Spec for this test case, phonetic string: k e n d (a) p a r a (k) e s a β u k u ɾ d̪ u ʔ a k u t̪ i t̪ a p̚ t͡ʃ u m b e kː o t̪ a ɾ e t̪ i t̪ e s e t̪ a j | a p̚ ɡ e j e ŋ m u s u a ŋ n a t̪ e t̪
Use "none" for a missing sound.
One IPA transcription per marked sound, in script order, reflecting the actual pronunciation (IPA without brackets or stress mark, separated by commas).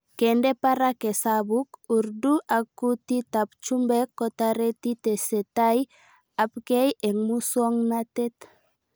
e, k